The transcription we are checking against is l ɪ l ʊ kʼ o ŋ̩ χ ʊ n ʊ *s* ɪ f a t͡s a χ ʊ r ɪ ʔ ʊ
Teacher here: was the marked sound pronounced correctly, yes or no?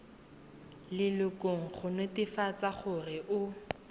no